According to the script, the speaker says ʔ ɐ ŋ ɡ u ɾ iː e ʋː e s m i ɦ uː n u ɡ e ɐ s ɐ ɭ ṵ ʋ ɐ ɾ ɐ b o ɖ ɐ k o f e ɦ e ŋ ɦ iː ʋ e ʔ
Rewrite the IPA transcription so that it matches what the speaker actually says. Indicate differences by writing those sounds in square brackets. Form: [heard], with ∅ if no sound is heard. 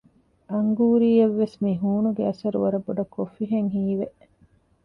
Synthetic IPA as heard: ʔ ɐ ŋ ɡ [uː] ɾ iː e ʋː e s m i ɦ uː n u ɡ e ɐ s ɐ [ɾ] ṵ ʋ ɐ ɾ ɐ b o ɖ ɐ k o f [i] ɦ e ŋ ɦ iː ʋ e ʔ